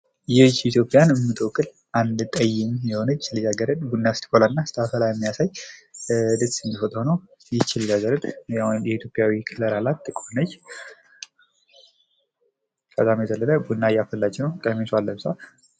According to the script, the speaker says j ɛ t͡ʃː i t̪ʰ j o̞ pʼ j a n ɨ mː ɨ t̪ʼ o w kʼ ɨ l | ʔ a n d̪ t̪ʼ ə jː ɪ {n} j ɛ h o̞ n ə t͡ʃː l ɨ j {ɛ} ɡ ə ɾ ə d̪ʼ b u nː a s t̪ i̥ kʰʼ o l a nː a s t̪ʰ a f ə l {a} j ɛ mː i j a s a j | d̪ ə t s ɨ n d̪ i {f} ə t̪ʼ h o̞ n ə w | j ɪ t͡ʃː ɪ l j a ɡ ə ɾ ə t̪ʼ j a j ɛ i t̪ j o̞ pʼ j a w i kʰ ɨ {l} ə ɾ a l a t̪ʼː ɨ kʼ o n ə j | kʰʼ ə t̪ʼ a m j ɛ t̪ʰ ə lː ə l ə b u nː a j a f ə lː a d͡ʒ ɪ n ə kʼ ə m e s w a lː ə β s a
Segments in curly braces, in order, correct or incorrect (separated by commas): incorrect, incorrect, correct, correct, correct